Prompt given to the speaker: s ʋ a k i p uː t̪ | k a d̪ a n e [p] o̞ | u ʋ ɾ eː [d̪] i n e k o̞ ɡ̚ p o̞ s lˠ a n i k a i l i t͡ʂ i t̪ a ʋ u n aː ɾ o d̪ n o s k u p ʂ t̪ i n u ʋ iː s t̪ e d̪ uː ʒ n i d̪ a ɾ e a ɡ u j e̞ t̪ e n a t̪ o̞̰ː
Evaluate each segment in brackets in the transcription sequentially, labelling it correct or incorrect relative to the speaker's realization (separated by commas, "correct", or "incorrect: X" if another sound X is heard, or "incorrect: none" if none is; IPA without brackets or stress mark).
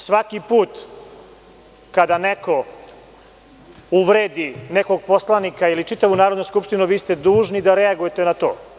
incorrect: k, correct